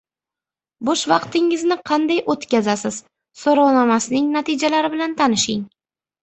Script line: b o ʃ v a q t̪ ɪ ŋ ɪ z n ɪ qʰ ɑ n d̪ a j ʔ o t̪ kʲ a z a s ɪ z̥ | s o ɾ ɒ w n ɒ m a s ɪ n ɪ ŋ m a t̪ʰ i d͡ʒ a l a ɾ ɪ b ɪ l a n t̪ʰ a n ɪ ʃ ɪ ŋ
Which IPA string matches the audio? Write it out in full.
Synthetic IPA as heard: b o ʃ v ɑ q t̪ ɪ ŋ ɪ z n ɪ qʰ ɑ n d̪ a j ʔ o t̪ kʲ a z a s ɪ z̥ | s o ɾ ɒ w n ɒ m a s ɪ n ɪ ŋ n a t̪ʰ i d͡ʒ a l a ɾ ɪ b ɪ l a n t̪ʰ a n ɪ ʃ ɪ ŋ